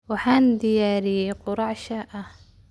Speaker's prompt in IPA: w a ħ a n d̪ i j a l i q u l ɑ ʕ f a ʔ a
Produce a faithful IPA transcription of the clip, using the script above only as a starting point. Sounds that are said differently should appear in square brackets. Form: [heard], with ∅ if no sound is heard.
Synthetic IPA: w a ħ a n d̪ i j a [ɾ] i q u [ɾ] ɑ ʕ [ʃ] a ʔ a